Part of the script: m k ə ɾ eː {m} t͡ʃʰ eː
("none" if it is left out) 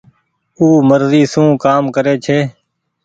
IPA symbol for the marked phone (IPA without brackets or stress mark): none